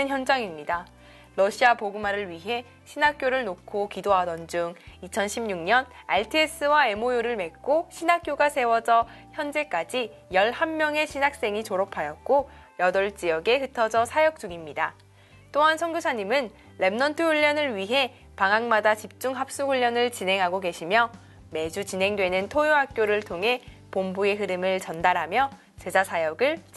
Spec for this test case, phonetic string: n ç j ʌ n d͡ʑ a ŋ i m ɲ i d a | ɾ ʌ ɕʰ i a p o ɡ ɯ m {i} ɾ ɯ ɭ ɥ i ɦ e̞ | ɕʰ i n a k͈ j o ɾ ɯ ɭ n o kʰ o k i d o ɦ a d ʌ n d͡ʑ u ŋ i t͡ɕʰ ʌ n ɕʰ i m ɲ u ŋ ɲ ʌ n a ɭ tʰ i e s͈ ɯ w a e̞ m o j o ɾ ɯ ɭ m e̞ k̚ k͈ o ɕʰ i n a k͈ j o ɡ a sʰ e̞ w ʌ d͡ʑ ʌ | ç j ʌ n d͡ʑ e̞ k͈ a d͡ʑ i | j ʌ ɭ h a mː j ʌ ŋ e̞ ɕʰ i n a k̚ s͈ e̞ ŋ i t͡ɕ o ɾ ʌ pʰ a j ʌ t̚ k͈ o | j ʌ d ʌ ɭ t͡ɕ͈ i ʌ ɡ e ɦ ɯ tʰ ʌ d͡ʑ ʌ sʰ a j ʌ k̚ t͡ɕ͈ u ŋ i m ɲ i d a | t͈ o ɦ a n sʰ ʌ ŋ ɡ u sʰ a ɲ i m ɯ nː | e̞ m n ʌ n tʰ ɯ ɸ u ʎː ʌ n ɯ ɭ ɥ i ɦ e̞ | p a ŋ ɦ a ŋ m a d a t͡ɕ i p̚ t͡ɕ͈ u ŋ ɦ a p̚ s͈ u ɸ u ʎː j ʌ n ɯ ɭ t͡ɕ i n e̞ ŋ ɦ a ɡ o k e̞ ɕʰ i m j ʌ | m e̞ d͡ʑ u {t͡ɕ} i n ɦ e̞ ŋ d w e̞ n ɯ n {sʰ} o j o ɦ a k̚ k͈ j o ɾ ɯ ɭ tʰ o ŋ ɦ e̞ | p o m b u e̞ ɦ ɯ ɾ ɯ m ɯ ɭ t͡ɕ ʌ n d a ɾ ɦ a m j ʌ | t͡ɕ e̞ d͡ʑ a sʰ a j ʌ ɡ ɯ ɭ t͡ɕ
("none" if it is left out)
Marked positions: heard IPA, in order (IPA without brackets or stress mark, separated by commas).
a, t͡ɕ, tʰ